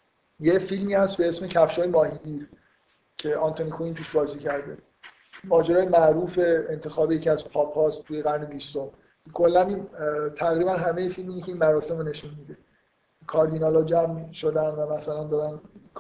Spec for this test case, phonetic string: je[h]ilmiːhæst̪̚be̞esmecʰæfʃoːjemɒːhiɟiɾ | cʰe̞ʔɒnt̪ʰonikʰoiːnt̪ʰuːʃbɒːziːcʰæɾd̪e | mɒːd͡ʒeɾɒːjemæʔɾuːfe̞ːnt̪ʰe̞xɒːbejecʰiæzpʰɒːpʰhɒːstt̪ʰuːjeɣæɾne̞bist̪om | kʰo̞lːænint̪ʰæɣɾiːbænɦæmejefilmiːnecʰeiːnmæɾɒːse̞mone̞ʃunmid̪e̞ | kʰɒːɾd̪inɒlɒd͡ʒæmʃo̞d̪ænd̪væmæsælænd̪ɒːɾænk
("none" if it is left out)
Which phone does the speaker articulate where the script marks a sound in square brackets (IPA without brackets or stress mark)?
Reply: f